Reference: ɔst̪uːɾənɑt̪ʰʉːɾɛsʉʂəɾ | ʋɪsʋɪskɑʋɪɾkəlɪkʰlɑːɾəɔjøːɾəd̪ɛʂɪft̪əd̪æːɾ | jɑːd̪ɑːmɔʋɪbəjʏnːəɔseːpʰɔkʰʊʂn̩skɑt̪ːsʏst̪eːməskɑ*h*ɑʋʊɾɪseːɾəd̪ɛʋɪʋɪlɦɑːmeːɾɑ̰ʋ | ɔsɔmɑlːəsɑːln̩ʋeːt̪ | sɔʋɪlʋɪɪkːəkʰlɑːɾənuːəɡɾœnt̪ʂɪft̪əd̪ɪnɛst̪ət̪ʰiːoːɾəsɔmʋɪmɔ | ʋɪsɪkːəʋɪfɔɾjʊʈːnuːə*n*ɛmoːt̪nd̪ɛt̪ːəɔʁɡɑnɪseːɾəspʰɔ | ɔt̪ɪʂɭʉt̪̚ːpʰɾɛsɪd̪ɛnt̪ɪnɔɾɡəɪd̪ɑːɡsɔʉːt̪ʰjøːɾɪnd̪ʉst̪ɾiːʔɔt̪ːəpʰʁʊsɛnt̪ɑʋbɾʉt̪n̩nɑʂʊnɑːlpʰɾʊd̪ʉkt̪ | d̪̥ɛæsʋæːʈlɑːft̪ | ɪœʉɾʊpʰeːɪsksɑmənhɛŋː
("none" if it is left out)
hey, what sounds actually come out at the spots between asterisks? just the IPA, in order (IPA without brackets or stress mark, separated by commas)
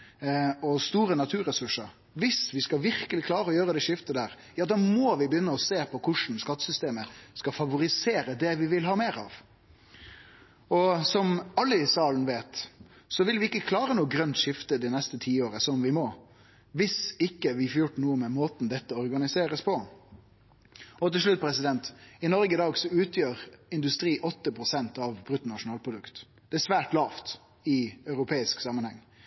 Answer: f, m